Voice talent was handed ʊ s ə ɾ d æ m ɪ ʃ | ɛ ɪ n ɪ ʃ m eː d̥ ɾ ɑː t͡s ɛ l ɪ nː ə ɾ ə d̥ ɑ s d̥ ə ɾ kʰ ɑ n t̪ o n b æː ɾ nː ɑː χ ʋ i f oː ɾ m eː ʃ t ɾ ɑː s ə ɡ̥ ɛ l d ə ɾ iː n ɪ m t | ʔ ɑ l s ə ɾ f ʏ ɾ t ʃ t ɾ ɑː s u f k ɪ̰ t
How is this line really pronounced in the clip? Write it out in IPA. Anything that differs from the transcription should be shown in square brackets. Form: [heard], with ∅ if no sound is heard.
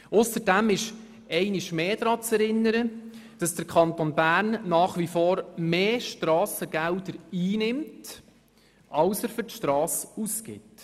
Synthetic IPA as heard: ʊ s ə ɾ d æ m ɪ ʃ | ɛ ɪ n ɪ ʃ m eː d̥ ɾ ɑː t͡s ɛ [ɾ] ɪ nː ə ɾ ə d̥ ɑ s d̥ ə ɾ kʰ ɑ n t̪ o n b æː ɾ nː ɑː χ ʋ i f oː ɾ m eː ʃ t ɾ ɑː s ə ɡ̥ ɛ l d ə ɾ iː n ɪ m t | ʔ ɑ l s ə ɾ f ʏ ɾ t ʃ t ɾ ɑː s u [s] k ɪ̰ t

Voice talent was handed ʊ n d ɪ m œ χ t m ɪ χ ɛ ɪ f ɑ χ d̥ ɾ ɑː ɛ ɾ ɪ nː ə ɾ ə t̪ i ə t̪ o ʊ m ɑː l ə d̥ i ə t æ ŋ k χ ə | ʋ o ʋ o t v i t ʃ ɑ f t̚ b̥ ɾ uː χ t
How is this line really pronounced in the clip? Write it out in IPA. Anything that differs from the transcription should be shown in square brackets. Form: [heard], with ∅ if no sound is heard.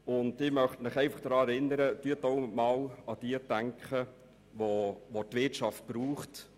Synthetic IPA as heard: ʊ n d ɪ m œ χ t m ɪ χ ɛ ɪ f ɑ χ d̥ ɾ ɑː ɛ ɾ ɪ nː ə ɾ ə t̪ [y] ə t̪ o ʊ m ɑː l [ɑ] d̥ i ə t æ ŋ k χ ə | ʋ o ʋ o t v [ɪ] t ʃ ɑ f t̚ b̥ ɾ uː χ t

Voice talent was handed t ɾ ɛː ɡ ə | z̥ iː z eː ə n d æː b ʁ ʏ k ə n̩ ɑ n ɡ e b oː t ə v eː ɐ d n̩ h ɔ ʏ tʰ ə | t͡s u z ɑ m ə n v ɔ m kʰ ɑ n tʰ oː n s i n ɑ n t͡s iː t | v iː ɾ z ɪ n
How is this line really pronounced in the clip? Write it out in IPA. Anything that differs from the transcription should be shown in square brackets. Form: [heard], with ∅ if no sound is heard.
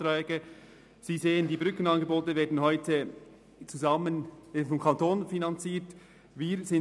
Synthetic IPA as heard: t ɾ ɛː ɡ ə | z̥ iː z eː ə n d [iː] b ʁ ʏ k ə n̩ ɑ n ɡ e b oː t ə v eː ɐ d n̩ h ɔ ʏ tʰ ə | t͡s u z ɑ m ə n [f] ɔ m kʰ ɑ n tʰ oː n [f] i n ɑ n t͡s iː t | v iː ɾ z ɪ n

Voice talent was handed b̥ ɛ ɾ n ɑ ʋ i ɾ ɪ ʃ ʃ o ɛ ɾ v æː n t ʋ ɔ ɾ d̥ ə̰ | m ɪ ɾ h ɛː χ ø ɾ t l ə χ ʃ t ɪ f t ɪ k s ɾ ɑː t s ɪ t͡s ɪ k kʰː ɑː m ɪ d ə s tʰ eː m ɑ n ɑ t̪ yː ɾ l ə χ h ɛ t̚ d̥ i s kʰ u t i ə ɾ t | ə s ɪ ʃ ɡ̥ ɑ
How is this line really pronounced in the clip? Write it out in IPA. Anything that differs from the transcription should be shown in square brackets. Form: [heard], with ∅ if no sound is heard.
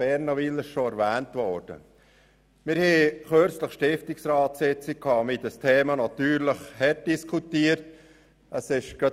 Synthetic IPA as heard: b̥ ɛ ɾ n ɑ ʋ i [l] ɪ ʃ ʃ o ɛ ɾ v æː n t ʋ ɔ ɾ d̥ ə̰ | m ɪ ɾ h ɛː χ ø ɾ [t͡s] l ə χ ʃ t ɪ f t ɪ k s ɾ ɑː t s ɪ t͡s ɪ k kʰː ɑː m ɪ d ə s tʰ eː m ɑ n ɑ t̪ yː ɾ l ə χ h ɛ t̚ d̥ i s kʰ u t i ə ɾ t | ə s ɪ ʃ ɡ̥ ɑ

